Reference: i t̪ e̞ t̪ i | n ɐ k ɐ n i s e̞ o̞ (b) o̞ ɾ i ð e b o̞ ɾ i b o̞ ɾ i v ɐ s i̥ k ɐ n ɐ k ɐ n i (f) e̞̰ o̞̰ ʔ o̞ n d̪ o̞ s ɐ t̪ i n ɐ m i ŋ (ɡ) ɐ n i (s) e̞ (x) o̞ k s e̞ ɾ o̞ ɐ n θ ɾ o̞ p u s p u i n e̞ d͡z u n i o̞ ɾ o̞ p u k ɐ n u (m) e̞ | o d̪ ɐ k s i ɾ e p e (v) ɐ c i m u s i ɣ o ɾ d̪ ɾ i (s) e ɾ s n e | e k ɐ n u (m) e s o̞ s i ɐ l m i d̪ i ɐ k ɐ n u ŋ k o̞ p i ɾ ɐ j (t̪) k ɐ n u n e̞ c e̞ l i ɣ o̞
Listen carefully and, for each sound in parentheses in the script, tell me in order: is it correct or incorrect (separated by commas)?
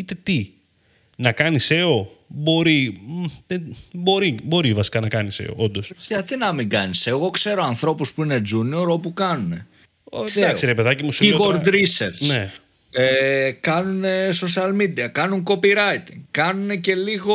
correct, incorrect, correct, correct, incorrect, incorrect, incorrect, correct, incorrect, correct